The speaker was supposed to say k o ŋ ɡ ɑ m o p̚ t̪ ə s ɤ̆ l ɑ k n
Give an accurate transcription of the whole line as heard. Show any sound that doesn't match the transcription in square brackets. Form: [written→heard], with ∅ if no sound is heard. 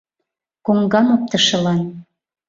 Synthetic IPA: k o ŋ ɡ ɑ m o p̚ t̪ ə [s→ʃ] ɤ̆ l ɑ [k→∅] n